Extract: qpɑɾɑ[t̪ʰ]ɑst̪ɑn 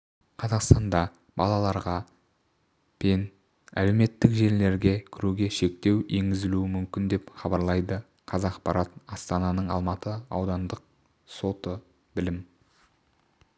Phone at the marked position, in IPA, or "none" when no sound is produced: t̪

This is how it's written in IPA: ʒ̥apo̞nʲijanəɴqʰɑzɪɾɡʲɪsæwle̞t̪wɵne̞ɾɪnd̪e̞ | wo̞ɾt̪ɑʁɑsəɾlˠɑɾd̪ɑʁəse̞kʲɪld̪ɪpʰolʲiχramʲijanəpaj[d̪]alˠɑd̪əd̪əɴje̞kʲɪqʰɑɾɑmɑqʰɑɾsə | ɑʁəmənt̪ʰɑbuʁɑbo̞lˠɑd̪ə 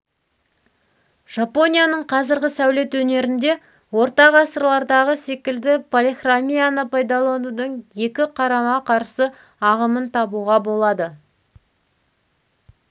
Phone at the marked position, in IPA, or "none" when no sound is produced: d̪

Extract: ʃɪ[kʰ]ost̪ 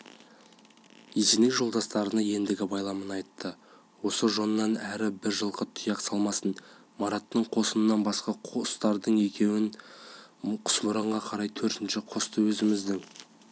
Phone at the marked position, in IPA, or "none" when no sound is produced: qʰ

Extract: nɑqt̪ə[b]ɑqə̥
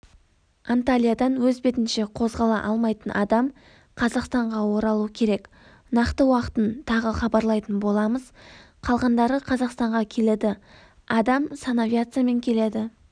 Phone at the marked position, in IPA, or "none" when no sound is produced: w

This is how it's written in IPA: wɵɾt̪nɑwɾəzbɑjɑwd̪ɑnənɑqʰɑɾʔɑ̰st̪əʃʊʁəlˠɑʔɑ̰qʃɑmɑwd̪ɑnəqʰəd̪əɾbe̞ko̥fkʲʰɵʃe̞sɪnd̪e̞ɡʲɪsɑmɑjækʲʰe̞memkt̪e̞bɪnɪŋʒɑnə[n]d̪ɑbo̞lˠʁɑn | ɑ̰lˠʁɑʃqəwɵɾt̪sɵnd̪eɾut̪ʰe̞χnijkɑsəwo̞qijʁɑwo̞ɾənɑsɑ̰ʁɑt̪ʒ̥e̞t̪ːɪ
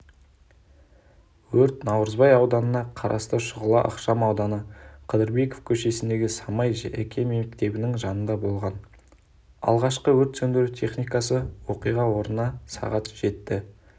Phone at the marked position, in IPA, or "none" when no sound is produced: n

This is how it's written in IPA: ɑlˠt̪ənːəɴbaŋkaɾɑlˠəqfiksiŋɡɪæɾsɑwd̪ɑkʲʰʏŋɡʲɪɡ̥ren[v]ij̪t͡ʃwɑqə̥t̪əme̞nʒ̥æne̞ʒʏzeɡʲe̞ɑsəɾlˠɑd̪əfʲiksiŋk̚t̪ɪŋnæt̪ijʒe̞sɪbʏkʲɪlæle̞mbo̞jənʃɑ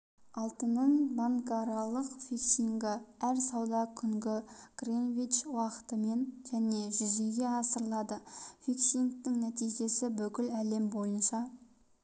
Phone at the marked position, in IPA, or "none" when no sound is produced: v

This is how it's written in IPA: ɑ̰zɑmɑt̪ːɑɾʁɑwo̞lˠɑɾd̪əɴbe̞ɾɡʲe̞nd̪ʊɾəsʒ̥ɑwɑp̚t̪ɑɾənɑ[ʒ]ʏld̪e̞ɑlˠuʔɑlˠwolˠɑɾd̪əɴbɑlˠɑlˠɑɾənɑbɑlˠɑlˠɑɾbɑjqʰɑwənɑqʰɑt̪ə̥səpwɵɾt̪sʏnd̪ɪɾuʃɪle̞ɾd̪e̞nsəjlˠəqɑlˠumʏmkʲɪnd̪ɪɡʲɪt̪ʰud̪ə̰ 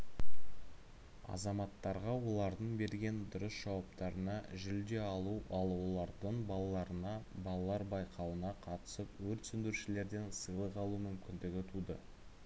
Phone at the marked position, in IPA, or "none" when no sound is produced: ʒ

